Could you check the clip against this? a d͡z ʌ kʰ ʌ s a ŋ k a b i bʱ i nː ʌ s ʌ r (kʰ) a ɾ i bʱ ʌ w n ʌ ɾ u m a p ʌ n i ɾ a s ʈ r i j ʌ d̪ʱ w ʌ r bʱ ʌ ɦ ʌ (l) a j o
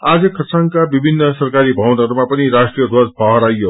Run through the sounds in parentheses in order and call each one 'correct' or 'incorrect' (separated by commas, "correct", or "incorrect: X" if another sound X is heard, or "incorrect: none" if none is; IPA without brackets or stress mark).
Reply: incorrect: k, incorrect: ɾ